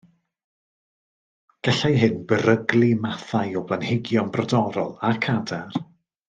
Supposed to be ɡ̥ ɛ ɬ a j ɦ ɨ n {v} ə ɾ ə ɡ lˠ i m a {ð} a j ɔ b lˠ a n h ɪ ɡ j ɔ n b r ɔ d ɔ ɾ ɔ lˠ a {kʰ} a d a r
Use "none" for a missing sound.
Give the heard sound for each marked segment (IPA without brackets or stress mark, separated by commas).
b, θ, kʰ